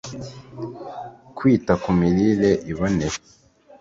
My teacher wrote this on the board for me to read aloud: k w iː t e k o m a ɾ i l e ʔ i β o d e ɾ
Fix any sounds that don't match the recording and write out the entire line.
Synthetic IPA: k w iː t a k u m i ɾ i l e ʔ i β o n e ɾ